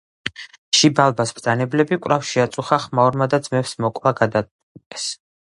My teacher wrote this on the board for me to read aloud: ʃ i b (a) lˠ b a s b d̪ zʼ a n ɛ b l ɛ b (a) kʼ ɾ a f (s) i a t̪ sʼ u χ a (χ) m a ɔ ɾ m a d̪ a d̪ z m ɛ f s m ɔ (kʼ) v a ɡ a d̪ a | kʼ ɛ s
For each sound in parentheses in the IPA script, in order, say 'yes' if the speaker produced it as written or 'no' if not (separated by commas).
yes, no, no, yes, yes